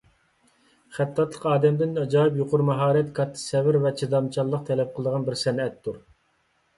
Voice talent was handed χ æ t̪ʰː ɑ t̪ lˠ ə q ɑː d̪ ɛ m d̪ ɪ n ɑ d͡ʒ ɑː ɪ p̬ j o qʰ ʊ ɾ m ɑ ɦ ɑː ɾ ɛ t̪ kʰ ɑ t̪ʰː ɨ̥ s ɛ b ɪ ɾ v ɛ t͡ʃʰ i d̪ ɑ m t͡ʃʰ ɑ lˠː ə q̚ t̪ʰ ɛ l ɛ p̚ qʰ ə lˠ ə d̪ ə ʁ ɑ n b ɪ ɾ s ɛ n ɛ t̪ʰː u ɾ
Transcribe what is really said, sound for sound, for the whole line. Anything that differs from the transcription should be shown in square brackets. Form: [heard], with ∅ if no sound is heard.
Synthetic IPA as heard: χ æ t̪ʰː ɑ t̪ lˠ ə q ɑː d̪ ɛ m d̪ ɪ n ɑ d͡ʒ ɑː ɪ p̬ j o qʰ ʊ ɾ m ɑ ɦ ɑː ɾ ɛ t̪ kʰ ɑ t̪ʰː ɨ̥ s ɛ [v] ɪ ɾ v ɛ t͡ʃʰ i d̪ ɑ m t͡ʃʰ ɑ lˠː ə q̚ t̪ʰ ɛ l ɛ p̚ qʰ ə lˠ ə d̪ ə ʁ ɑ n b ɪ ɾ s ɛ n ɛ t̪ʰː u ɾ